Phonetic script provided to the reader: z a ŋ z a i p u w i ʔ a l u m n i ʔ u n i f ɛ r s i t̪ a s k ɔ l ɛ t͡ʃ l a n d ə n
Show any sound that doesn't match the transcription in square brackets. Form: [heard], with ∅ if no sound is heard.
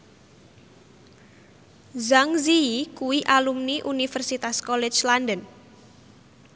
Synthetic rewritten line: z a ŋ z [i] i [k] u w i ʔ a l u m n i ʔ u n i f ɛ r s i t̪ a s k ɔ l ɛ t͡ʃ l a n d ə n